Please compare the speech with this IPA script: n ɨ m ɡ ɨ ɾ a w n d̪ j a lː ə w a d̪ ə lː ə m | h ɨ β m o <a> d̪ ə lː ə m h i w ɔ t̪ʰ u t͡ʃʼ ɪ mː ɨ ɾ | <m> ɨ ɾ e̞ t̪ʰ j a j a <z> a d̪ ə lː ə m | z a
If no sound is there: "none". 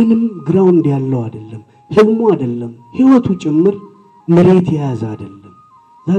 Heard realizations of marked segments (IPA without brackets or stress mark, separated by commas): a, m, z